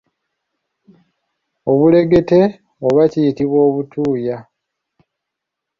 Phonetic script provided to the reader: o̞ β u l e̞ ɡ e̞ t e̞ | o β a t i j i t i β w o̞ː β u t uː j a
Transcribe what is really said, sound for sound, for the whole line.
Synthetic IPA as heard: o̞ β u l e̞ ɡ e̞ t e̞ | o β a c i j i t i β w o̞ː β u t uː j a